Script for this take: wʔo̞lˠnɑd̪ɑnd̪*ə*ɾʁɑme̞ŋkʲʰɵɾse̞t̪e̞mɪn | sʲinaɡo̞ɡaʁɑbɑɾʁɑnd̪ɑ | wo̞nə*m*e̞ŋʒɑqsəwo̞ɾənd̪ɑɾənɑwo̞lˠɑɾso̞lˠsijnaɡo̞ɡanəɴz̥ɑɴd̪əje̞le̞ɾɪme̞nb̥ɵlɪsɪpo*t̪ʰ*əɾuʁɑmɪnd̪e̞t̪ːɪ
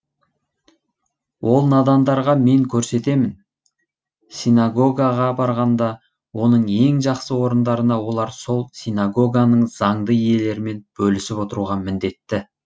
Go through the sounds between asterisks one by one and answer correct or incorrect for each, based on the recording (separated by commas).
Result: incorrect, incorrect, incorrect